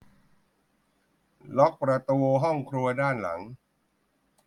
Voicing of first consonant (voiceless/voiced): voiced